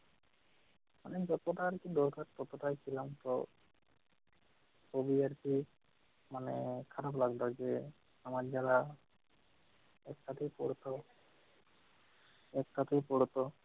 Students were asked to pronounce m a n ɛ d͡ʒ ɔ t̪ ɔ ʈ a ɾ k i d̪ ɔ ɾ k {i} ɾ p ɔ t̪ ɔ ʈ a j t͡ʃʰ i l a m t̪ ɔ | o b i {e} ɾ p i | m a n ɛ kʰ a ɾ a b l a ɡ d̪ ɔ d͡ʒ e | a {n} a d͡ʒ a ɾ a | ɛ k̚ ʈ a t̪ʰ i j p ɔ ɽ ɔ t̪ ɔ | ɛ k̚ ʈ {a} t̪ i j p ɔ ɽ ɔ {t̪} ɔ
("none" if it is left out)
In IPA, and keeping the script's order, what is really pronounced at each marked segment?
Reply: a, a, m, a, t̪

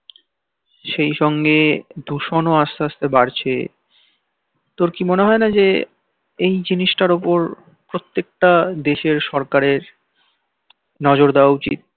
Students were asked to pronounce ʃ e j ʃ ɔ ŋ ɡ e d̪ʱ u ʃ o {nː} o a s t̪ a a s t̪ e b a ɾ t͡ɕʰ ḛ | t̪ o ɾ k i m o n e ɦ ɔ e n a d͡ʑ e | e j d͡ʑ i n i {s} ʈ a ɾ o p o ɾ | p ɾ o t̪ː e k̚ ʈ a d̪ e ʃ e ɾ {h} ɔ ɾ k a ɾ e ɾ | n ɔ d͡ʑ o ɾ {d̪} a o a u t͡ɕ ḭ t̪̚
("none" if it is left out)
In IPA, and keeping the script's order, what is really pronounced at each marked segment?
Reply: n, ʃ, ʃ, d̪

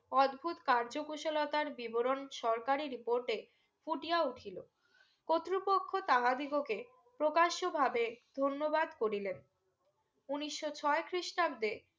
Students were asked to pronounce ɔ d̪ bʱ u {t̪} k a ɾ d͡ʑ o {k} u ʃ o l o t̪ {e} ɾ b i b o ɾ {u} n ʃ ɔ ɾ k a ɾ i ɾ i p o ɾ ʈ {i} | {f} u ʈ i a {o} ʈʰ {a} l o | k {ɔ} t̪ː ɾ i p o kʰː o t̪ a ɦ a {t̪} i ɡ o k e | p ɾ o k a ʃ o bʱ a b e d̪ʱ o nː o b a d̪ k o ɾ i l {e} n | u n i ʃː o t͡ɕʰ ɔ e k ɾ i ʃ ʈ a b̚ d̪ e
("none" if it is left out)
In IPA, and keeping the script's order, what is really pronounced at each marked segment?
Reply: t̪, k, a, o, e, f, u, i, o, d̪, e

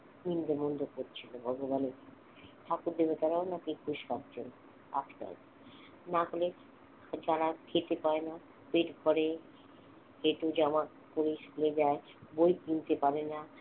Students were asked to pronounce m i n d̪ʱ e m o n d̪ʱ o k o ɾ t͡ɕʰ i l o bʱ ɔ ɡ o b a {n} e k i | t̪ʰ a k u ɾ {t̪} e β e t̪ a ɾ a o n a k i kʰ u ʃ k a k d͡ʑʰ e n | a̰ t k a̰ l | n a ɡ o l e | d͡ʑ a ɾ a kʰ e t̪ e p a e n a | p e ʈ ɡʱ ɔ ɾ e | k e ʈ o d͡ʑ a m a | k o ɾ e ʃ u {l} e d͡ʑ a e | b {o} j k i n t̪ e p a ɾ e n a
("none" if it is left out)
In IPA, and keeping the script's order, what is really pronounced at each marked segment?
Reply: n, d̪, l, o

